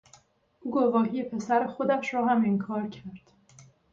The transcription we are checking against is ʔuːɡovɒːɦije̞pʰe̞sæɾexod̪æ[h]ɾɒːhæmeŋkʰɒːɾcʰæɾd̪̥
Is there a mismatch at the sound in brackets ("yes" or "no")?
yes